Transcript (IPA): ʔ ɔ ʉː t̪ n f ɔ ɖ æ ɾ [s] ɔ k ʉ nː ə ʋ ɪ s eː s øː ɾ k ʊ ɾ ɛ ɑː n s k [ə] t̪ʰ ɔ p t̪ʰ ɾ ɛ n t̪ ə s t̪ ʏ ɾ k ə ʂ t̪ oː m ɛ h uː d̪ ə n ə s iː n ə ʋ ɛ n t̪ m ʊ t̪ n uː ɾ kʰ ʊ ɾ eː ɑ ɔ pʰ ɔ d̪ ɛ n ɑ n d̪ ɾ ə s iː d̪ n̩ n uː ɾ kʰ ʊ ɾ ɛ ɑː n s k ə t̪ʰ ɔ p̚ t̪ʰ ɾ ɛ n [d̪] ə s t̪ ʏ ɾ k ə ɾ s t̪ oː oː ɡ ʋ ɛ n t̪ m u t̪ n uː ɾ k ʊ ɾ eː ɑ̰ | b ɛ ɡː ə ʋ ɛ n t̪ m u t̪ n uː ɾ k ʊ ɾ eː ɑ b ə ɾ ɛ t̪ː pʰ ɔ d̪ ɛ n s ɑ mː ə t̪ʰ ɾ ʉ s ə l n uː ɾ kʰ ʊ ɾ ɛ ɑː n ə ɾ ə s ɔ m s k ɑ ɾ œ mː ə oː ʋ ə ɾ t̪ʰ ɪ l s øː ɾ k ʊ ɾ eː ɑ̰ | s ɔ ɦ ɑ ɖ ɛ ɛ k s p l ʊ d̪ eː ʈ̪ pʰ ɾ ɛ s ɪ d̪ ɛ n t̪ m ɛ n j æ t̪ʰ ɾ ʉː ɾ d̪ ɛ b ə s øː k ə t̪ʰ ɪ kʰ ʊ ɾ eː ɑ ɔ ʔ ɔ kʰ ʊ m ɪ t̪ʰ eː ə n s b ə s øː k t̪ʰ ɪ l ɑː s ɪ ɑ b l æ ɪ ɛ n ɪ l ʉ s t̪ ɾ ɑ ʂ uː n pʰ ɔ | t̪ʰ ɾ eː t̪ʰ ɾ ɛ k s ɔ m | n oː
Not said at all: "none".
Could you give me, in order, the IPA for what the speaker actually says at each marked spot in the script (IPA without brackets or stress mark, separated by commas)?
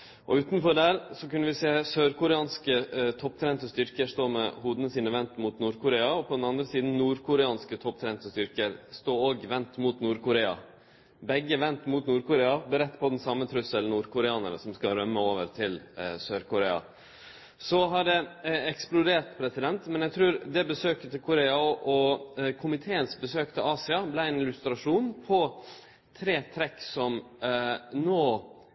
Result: s, ə, t̪